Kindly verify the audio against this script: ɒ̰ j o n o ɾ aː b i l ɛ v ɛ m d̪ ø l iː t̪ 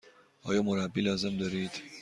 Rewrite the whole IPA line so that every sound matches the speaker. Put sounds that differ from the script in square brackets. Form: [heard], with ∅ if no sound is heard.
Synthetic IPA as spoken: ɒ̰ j o [m] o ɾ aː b i l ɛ [z] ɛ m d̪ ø [ɾ] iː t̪